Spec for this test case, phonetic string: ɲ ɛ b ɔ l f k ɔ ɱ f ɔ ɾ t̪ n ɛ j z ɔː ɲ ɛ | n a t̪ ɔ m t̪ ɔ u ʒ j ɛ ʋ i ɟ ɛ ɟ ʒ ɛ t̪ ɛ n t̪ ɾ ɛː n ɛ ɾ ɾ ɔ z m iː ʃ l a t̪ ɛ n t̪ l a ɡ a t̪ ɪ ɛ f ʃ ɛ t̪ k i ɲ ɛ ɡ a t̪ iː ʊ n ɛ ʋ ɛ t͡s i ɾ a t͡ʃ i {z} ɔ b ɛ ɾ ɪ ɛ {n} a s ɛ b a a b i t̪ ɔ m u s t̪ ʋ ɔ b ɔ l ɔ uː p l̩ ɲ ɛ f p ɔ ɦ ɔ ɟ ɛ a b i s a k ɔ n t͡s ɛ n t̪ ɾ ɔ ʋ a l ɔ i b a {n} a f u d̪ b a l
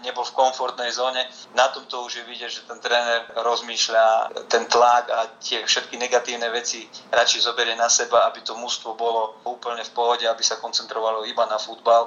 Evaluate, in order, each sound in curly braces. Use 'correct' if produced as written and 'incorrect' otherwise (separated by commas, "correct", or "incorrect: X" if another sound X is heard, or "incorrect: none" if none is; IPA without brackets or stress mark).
correct, correct, correct